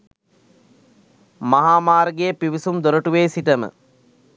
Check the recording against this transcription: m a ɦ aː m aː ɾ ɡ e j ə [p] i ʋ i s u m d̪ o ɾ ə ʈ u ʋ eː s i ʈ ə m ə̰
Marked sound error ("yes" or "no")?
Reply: no